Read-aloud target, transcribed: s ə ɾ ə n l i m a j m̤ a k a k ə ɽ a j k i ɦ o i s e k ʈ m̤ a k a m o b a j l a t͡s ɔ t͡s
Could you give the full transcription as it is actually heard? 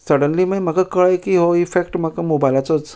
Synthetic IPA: s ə ɽ ə n l i m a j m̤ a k a k ə ɭ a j k i ɦ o i f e k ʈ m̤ a k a m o b a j l a t͡s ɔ t͡s